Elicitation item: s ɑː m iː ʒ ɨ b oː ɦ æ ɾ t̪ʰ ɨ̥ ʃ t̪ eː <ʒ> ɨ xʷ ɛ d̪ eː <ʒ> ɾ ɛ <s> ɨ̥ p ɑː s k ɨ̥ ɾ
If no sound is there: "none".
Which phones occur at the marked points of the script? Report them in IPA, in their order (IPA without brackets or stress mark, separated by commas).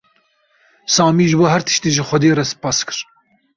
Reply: ʒ, none, s